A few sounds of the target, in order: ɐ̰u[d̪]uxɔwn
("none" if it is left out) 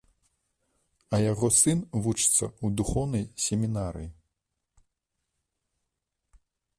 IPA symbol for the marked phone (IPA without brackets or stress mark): d̪